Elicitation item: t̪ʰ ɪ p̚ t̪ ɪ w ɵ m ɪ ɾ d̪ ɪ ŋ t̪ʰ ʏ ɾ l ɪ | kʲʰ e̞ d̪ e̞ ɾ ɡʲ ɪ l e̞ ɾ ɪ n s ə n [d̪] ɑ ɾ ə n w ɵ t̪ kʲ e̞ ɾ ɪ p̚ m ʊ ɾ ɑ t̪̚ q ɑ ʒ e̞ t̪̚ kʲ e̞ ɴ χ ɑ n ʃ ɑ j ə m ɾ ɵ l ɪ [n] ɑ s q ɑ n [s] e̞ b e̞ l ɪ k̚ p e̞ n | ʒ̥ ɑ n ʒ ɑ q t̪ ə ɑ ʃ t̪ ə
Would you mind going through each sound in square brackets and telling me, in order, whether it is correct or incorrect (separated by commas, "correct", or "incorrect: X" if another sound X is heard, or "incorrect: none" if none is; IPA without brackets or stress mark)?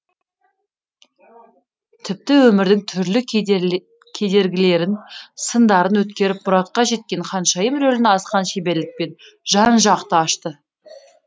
correct, correct, incorrect: ʃ